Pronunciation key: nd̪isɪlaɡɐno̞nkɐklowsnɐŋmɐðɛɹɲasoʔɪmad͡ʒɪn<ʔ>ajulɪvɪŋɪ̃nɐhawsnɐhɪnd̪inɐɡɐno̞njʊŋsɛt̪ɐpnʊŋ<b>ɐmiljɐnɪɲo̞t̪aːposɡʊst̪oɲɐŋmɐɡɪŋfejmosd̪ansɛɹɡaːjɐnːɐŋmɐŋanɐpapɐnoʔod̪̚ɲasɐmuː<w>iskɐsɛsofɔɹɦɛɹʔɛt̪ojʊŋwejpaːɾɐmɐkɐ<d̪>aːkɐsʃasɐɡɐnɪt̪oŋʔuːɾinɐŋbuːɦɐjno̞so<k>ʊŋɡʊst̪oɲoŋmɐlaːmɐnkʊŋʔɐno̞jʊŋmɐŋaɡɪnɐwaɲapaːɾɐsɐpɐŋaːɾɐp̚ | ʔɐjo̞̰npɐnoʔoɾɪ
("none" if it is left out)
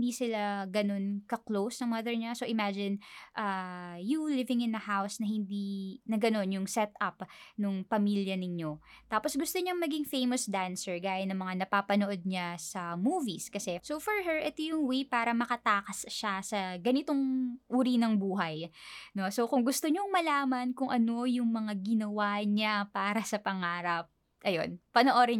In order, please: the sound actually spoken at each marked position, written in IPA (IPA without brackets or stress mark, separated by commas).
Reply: ʔ, p, v, t̪, k